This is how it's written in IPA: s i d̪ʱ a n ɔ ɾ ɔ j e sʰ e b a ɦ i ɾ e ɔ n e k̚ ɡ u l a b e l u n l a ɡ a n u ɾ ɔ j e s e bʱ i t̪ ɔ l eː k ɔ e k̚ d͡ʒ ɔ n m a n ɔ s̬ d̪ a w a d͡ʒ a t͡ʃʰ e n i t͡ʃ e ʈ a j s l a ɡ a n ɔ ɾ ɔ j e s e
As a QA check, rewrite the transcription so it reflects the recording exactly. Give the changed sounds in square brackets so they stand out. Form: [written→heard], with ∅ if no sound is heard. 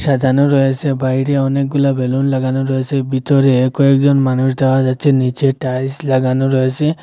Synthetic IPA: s [i→a] d̪ʱ a n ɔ ɾ ɔ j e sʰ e b a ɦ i ɾ e ɔ n e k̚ ɡ u l a b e l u n l a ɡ a n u ɾ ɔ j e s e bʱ i t̪ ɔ [l→ɾ] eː k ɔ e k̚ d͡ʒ ɔ n m a n [ɔ→u] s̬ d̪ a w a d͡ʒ a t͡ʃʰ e n i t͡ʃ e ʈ a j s l a ɡ a n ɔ ɾ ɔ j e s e